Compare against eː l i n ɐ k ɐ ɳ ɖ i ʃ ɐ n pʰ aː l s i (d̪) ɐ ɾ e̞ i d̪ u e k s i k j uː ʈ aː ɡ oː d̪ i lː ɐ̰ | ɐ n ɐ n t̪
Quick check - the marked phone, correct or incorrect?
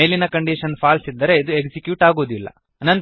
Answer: incorrect